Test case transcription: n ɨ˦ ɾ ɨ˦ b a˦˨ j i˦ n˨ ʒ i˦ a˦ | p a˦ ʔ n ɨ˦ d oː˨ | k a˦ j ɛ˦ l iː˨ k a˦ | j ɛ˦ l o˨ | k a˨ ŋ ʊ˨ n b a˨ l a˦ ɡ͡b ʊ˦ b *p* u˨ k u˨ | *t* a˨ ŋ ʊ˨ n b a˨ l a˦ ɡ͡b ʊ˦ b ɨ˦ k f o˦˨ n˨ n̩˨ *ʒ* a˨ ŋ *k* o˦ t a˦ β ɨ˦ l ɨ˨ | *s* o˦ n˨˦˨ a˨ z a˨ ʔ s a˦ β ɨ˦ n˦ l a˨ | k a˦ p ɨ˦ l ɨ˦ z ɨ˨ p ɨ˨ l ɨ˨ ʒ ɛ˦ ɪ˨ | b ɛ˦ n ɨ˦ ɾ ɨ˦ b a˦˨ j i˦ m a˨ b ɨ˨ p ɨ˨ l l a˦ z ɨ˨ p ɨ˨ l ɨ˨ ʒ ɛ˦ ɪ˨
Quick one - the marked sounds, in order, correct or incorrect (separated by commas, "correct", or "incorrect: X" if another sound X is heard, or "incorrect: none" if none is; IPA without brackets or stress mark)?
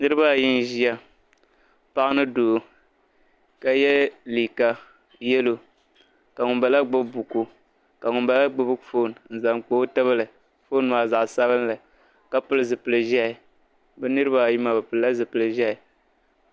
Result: incorrect: b, incorrect: k, incorrect: z, incorrect: k͡p, incorrect: f